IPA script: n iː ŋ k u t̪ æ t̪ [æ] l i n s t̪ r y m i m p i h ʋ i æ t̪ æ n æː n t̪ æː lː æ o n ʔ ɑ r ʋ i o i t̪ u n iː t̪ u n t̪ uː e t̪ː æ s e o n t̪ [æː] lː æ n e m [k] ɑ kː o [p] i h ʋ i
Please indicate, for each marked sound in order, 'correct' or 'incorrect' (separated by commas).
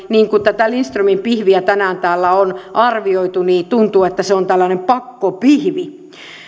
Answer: correct, incorrect, incorrect, correct